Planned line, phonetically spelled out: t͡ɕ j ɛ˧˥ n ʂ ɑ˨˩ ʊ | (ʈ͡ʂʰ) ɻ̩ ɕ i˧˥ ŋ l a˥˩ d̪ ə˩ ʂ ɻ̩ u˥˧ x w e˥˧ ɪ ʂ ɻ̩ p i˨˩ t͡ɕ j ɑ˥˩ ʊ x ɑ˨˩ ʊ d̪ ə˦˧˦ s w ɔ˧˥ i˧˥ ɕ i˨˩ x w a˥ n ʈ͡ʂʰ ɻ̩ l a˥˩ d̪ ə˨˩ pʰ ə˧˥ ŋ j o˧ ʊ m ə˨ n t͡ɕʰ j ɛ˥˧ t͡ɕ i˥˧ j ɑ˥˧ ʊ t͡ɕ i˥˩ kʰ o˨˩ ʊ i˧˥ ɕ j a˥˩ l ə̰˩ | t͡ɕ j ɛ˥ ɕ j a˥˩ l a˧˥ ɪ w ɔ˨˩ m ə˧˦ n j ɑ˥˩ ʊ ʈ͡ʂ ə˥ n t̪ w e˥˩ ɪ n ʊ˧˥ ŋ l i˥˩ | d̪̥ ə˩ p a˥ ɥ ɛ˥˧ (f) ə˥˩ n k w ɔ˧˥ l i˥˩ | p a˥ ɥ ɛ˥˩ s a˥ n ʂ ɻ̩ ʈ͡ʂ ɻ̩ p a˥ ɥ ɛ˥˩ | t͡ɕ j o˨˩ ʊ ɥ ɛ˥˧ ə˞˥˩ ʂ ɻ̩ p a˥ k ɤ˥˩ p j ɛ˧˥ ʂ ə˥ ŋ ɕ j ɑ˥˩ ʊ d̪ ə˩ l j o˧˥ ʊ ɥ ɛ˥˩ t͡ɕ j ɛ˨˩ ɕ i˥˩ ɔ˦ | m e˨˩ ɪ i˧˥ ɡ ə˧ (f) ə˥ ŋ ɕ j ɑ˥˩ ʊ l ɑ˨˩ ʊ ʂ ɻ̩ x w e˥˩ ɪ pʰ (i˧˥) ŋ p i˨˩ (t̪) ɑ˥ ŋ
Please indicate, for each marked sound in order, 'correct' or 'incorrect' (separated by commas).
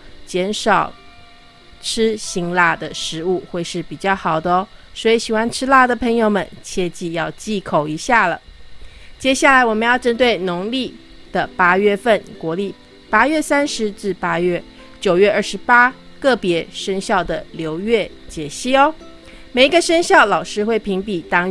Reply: correct, correct, incorrect, correct, correct